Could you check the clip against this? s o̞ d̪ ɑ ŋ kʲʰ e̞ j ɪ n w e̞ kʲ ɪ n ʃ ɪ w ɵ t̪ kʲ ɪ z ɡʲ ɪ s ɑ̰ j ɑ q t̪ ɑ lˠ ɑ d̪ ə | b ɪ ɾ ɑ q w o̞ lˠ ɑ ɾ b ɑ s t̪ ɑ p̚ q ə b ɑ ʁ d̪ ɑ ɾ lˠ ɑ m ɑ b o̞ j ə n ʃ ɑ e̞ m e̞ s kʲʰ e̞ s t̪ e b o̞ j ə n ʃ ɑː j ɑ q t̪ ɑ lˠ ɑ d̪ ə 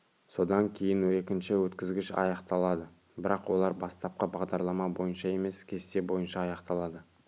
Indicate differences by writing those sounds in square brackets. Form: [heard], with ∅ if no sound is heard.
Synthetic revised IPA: s o̞ d̪ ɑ ŋ kʲʰ e̞ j ɪ n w e̞ kʲ ɪ n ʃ ɪ w ɵ t̪ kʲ ɪ z ɡʲ ɪ [ʃ] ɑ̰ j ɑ q t̪ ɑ lˠ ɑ d̪ ə | b ɪ ɾ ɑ q w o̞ lˠ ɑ ɾ b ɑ s t̪ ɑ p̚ q ə b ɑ ʁ d̪ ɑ ɾ lˠ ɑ m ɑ b o̞ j ə n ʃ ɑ e̞ m e̞ s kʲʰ e̞ s t̪ e b o̞ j ə n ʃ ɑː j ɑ q t̪ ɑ lˠ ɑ d̪ ə